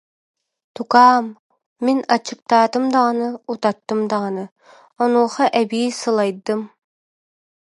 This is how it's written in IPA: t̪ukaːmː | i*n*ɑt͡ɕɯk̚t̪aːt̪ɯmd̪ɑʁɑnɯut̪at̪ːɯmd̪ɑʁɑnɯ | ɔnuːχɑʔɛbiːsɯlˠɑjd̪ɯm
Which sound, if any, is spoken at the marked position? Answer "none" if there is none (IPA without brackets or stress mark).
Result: n